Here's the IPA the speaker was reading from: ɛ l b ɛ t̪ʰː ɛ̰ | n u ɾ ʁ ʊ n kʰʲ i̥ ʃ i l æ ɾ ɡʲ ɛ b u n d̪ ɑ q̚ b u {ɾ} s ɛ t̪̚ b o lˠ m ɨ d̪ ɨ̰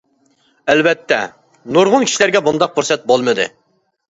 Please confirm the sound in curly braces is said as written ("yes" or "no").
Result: yes